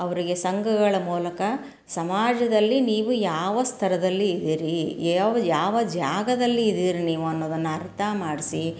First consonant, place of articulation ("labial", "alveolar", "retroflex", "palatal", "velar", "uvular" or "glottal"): labial